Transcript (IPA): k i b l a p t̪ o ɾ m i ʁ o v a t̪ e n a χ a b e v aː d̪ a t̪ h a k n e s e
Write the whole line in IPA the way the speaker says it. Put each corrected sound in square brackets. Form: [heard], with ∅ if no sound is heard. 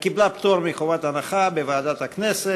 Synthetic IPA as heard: k i b l a p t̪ o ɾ m i [χ] o v a t̪ [a] n a χ a b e v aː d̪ a t̪ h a k n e s e